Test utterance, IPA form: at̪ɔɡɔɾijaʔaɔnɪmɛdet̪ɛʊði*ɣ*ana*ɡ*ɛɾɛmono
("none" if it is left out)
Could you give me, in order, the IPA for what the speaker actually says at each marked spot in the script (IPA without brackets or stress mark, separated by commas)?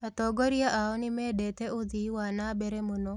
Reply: w, b